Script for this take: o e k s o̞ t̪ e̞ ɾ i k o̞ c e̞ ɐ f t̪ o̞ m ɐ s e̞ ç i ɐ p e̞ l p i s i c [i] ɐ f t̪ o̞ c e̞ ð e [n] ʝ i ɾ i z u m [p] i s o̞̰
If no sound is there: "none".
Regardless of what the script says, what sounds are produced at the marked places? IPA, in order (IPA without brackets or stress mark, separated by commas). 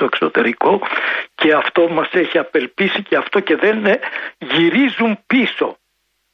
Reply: e, n, p